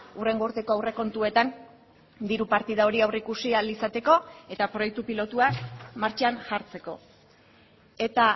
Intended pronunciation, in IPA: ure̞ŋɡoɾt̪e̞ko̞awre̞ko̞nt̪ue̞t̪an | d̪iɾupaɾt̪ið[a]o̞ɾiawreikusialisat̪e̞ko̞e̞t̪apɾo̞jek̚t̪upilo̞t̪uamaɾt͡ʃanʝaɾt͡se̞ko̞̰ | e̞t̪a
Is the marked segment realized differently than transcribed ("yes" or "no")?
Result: no